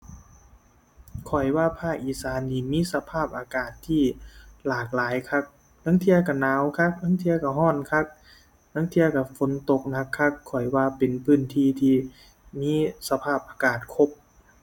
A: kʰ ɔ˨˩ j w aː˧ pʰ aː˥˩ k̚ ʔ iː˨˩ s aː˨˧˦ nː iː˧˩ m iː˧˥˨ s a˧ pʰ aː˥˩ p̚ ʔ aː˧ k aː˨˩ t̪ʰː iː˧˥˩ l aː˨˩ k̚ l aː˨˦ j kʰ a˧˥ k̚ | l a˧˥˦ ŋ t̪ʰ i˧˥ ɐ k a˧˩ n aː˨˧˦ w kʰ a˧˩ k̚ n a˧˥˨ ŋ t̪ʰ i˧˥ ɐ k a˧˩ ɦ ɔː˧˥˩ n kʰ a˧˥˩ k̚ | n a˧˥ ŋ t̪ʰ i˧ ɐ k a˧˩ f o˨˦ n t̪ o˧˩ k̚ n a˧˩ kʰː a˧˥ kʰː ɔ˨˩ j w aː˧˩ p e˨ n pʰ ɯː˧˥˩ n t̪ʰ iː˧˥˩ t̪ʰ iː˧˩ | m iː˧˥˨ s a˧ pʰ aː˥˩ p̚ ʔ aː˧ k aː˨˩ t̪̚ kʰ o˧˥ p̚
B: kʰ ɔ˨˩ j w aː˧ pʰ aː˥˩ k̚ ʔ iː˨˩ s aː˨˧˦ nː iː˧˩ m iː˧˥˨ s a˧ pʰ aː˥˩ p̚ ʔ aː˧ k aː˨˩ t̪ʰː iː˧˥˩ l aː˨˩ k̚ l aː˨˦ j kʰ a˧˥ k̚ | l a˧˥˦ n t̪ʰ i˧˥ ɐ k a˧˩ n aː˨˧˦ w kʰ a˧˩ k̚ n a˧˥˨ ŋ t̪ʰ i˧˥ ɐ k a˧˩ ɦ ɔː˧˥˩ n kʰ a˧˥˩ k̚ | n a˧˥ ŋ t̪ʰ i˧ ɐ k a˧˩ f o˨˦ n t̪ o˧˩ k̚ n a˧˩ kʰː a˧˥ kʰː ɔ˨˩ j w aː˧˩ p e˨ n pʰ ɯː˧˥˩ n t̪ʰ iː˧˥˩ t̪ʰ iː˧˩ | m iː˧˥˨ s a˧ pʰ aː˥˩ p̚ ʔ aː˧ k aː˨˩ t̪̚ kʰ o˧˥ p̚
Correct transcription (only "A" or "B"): A